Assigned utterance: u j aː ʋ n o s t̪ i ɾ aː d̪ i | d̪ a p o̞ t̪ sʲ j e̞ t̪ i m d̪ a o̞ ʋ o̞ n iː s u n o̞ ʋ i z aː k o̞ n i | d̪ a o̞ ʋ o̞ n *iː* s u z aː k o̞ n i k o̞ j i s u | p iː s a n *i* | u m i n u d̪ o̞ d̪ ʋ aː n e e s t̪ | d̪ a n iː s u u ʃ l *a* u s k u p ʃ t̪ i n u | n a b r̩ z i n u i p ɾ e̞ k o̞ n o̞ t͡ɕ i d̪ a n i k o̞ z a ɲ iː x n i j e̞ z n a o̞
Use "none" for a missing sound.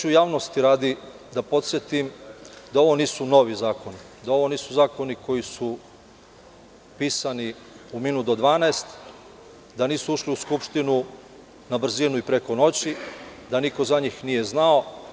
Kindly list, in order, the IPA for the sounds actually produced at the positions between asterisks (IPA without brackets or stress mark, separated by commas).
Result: iː, i, i